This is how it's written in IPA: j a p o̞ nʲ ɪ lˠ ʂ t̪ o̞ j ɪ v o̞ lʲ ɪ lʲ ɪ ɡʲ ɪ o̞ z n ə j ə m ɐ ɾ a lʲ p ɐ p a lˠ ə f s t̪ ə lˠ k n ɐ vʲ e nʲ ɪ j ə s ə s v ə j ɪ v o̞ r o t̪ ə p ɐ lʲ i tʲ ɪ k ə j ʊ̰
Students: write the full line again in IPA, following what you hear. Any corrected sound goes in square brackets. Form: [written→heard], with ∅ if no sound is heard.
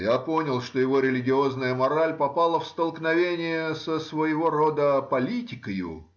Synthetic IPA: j a p o̞ nʲ ɪ lˠ ʂ t̪ o̞ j ɪ v o̞ [lʲ→ɾʲ] ɪ lʲ ɪ ɡʲ ɪ o̞ z n ə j ə m ɐ ɾ a lʲ p ɐ p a lˠ ə f s t̪ ə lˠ k n ɐ vʲ e nʲ ɪ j ə s ə s v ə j ɪ v o̞ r o [t̪→d̪] ə p ɐ lʲ i tʲ ɪ k ə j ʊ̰

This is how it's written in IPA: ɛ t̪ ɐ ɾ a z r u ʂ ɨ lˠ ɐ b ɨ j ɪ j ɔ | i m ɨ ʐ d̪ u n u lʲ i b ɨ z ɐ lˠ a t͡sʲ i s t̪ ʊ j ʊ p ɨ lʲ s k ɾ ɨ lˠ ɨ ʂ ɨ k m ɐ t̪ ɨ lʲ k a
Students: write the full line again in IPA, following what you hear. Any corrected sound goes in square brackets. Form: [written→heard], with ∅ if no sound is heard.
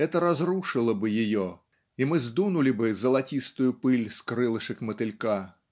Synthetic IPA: ɛ t̪ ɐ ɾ a z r u ʂ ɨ lˠ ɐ b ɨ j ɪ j ɔ | i m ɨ [ʐ→z] d̪ u n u lʲ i b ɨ z ɐ lˠ a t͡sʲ i s t̪ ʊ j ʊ p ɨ lʲ s k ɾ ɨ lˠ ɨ ʂ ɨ k m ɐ t̪ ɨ lʲ k a

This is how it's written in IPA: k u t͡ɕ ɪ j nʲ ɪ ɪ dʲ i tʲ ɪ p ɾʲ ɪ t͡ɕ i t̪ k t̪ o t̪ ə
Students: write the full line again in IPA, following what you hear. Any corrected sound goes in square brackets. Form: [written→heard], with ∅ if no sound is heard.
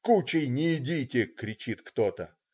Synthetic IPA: k u t͡ɕ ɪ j nʲ ɪ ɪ dʲ i tʲ ɪ [p→k] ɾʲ ɪ t͡ɕ i t̪ k t̪ o t̪ ə

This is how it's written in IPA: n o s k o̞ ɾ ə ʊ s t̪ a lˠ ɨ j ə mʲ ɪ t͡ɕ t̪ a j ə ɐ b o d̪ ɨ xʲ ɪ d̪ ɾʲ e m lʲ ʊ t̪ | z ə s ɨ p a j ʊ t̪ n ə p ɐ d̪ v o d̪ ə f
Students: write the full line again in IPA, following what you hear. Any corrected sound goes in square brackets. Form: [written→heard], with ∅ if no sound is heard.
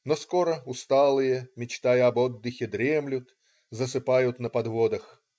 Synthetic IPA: n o s k o̞ ɾ ə ʊ s t̪ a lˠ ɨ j ə mʲ ɪ t͡ɕ t̪ a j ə ɐ b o [d̪→d̪ː] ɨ xʲ ɪ d̪ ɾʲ e m lʲ ʊ t̪ | z ə s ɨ p a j ʊ t̪ n ə p ɐ d̪ v o d̪ ə [f→x]

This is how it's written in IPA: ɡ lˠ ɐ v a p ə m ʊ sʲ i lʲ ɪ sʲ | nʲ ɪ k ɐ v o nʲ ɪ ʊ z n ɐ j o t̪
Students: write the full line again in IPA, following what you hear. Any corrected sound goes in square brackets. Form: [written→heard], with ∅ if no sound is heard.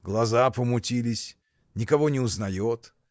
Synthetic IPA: ɡ lˠ ɐ [v→z] a p ə m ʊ [sʲ→tʲ] i lʲ ɪ sʲ | nʲ ɪ k ɐ v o nʲ ɪ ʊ z n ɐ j o t̪

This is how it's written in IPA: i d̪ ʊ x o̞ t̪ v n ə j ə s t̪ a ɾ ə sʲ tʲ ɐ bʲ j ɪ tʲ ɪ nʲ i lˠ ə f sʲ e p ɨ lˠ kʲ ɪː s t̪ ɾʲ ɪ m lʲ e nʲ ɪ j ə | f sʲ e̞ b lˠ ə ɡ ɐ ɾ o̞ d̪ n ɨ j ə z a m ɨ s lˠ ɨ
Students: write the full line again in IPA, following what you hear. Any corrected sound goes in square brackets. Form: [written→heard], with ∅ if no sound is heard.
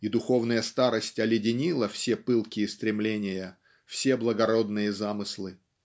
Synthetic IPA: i d̪ ʊ x o̞ [t̪→∅] v n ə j ə s t̪ a ɾ ə sʲ tʲ ɐ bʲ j ɪ [tʲ→dʲ] ɪ nʲ i lˠ ə f sʲ e p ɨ lˠ kʲ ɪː s t̪ ɾʲ ɪ m lʲ e nʲ ɪ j ə | f sʲ e̞ b lˠ ə ɡ ɐ ɾ o̞ d̪ n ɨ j ə z a m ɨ s lˠ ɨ

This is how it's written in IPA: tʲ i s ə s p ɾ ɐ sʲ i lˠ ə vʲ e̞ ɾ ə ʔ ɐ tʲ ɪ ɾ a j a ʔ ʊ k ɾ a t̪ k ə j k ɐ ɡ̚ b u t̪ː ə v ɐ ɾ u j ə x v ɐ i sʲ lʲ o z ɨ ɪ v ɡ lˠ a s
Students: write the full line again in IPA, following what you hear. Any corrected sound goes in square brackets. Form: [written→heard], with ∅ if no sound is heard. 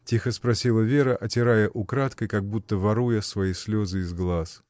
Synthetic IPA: tʲ i [s→x] ə s p ɾ ɐ sʲ i lˠ ə vʲ e̞ ɾ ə ʔ ɐ tʲ ɪ ɾ a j [a→ə] ʔ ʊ k ɾ a t̪ k ə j k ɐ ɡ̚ b u t̪ː ə v ɐ ɾ u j ə [x→s] v ɐ i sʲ lʲ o z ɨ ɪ [v→z] ɡ lˠ a s

